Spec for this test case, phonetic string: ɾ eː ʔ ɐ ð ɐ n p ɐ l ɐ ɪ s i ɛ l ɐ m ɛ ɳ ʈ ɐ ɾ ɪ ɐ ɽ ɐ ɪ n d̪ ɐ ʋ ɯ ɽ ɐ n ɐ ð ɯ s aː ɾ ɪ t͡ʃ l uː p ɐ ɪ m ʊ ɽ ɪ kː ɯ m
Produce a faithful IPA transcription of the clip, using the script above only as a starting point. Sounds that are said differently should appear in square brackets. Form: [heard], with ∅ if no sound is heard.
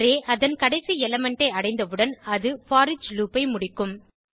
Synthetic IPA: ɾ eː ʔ ɐ ð ɐ n [k] ɐ [ɽ] ɐ ɪ s i ɛ l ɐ m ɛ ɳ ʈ ɐ [∅] ɪ ɐ ɽ ɐ ɪ n d̪ ɐ ʋ ɯ ɽ ɐ n ɐ ð ɯ [f] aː ɾ ɪ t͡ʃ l uː p ɐ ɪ m ʊ ɽ ɪ kː ɯ m